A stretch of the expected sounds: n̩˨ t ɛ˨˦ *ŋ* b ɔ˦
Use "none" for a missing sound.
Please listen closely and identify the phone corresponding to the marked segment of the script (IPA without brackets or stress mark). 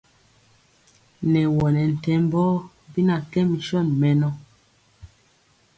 m